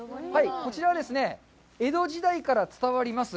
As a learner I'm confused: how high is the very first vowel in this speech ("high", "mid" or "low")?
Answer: low